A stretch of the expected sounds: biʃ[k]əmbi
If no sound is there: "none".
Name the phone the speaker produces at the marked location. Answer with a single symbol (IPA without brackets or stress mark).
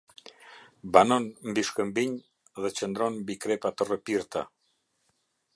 k